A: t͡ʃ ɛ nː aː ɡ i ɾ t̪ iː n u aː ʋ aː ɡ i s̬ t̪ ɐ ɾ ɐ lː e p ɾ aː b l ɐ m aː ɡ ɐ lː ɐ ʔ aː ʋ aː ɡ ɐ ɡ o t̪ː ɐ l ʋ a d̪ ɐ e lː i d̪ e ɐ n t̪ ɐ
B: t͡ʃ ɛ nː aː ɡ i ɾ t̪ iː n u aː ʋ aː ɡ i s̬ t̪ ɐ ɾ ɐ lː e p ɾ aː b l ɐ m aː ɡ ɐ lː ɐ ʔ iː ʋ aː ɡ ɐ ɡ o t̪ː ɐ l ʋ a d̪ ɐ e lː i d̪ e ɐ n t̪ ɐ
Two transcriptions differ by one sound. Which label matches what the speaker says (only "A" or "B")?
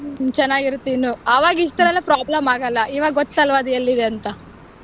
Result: B